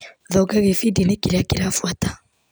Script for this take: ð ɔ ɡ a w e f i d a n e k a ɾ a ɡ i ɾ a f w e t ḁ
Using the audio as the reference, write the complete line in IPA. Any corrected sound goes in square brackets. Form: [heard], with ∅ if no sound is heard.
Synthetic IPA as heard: ð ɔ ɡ a [ɣ] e f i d [i] n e k [i] ɾ a [k] i ɾ a f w [a] t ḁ